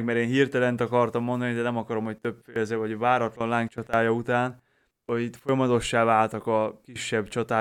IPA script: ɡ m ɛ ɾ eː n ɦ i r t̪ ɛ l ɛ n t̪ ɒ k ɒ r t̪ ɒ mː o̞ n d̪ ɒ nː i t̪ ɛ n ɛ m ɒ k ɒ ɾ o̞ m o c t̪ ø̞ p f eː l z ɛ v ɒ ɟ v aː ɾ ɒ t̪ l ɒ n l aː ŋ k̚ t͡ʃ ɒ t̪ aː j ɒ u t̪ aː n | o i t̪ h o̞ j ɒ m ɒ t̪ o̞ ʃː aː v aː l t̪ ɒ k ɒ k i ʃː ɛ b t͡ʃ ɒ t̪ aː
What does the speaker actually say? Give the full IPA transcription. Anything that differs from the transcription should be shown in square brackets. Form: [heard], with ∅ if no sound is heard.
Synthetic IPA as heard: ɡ m ɛ ɾ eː n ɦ i r t̪ ɛ l ɛ n t̪ ɒ k ɒ r t̪ ɒ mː o̞ n d̪ ɒ [n] i [d̪] ɛ n ɛ m ɒ k ɒ ɾ o̞ m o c t̪ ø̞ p f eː l z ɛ v ɒ ɟ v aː ɾ ɒ t̪ l ɒ n l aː ŋ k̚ t͡ʃ ɒ t̪ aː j ɒ u t̪ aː n | o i t̪ [f] o̞ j ɒ m ɒ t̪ o̞ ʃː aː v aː l t̪ ɒ k ɒ k i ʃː ɛ b t͡ʃ ɒ t̪ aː